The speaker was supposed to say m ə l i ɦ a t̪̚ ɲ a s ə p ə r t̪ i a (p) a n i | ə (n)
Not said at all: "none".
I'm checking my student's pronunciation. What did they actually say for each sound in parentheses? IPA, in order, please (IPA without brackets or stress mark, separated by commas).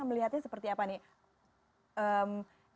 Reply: p, m